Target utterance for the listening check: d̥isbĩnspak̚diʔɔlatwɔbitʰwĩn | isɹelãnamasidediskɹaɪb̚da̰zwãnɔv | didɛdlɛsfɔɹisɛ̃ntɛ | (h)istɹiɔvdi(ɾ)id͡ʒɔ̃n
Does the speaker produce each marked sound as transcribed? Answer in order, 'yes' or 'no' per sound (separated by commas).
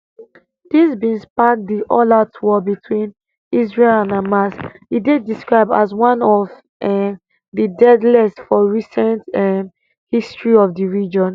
yes, no